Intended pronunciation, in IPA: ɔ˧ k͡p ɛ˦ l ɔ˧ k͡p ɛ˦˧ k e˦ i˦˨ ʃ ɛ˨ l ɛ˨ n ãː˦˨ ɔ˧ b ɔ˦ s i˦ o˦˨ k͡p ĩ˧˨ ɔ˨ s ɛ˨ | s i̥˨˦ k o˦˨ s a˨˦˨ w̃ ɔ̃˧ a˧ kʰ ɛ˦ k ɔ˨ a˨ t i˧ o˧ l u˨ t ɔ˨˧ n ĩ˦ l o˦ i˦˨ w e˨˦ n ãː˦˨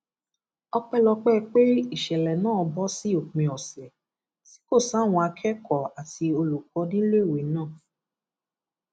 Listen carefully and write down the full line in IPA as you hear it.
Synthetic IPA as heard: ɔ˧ k͡p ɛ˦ l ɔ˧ k͡p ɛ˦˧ k͡p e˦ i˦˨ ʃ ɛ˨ l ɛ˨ n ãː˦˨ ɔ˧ b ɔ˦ s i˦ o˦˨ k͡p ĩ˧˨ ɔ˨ s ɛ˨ | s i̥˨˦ k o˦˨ s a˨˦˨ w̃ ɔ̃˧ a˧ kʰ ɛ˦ k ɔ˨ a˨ t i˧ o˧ l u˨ k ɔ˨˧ n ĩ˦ l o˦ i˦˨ w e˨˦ n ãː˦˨